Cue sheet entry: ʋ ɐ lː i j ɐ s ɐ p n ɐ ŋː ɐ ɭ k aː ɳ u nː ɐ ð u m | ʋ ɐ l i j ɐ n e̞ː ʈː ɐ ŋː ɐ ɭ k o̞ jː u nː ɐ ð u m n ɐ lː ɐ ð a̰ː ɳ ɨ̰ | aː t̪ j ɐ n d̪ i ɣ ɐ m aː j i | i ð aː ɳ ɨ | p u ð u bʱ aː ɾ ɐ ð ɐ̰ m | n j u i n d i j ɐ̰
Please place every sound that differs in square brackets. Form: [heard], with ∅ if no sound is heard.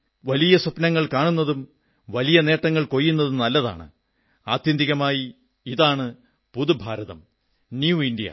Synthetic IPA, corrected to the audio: ʋ ɐ [l] i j ɐ s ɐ p n ɐ ŋː ɐ ɭ k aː ɳ u nː ɐ ð u m | ʋ ɐ l i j ɐ n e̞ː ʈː ɐ ŋː ɐ ɭ k o̞ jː u nː ɐ ð u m n ɐ lː ɐ ð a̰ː ɳ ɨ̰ | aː t̪ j ɐ n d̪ i ɣ ɐ m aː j i | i ð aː ɳ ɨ | p u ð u bʱ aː ɾ ɐ ð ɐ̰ m | n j u i n d i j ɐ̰

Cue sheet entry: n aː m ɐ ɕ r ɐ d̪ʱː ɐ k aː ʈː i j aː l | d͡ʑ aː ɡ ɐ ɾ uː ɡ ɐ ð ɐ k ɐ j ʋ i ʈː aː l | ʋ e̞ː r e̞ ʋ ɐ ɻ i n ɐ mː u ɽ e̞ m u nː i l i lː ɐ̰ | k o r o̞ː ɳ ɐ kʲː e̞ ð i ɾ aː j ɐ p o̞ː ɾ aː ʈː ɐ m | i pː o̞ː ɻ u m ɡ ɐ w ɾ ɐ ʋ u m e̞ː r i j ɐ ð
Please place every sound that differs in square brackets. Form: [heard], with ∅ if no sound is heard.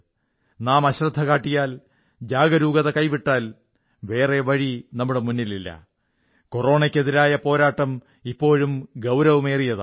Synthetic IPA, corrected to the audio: n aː m ɐ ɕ r ɐ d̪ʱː ɐ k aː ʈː i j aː l | d͡ʑ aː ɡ ɐ ɾ uː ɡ ɐ ð ɐ k ɐ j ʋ i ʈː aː l | ʋ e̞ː r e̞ ʋ ɐ ɻ i n ɐ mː u ɽ e̞ m u nː i l i lː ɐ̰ | k o r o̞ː ɳ ɐ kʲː e̞ ð i ɾ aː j ɐ p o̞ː ɾ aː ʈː ɐ m | i pː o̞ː ɻ u m ɡ ɐ w ɾ ɐ ʋ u m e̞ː r i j ɐ ð

